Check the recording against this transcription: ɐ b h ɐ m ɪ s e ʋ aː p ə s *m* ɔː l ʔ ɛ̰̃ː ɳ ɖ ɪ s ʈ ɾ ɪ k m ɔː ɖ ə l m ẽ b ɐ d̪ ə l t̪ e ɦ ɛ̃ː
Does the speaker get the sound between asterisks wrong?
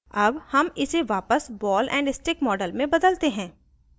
yes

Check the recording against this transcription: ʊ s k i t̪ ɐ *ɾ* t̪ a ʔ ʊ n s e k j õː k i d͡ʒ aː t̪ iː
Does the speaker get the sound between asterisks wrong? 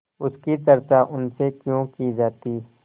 no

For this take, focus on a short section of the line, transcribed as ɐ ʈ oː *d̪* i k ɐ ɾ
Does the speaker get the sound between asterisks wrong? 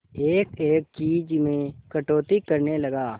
yes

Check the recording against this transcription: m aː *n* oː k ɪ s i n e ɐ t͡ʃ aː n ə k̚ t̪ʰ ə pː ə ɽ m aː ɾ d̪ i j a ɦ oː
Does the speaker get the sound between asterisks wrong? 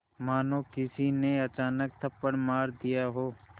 no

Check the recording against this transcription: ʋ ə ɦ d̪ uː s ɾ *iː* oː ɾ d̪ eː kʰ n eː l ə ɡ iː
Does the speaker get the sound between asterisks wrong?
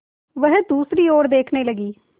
no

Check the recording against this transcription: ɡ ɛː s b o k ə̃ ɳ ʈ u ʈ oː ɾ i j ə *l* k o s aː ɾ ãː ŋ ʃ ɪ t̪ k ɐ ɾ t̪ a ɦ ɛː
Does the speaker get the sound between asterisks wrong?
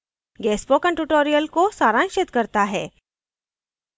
no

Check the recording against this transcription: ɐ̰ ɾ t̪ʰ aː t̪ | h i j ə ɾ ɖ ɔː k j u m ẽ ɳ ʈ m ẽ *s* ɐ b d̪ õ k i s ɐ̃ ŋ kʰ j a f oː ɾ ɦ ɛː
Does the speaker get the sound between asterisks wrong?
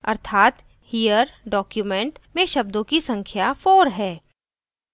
yes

